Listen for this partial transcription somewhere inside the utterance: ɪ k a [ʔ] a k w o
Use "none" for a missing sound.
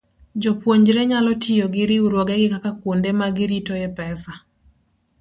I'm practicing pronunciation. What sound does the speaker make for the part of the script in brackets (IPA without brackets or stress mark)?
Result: k